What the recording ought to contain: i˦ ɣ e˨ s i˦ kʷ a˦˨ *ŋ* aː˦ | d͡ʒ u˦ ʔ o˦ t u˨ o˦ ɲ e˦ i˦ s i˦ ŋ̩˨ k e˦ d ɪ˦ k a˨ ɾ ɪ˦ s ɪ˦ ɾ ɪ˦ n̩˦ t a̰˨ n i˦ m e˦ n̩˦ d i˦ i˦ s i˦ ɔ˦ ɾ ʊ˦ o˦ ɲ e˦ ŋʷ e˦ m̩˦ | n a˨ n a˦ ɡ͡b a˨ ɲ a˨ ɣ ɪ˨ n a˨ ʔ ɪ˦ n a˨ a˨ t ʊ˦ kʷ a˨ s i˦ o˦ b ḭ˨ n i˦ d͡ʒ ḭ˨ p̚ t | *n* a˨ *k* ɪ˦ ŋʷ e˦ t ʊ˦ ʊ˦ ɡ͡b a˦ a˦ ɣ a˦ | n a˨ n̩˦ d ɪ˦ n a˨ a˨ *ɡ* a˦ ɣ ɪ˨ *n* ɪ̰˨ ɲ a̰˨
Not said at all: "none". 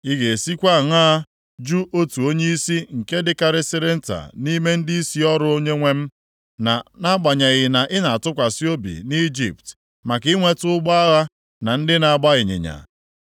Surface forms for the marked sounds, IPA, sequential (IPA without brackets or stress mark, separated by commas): ŋ, m, k, ɡ͡b, ɲ